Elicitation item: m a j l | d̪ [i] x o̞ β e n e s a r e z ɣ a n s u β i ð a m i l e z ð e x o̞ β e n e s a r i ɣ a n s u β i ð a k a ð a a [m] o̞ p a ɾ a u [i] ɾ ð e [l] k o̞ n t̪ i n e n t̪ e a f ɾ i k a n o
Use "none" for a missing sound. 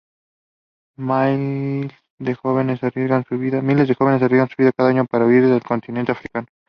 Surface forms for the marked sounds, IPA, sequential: e, ɲ, i, l

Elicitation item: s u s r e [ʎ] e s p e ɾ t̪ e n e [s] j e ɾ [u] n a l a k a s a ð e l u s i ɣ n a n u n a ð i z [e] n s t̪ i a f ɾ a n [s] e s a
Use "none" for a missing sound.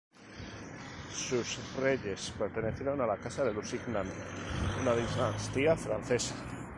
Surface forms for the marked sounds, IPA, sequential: ʎ, θ, o, a, θ

